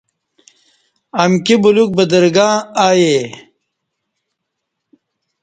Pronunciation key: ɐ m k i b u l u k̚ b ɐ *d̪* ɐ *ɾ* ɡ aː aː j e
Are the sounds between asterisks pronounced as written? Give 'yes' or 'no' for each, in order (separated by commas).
yes, yes